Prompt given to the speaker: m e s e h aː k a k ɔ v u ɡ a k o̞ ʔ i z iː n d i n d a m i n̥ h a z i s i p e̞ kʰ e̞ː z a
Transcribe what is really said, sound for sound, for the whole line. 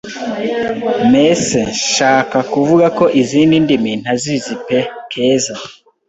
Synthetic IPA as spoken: m e s e ʃ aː k a k u v u ɡ a k o̞ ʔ i z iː n d i n d i m i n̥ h a z i z i p e̞ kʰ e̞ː z a